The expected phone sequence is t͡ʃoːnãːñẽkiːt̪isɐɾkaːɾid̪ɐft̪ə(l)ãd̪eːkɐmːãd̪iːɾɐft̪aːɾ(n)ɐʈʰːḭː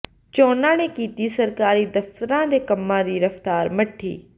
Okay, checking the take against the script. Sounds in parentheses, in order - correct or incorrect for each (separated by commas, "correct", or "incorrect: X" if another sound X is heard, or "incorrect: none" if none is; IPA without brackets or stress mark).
incorrect: ɾ, incorrect: m